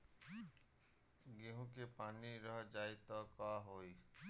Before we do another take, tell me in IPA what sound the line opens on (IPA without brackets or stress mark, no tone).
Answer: ɡ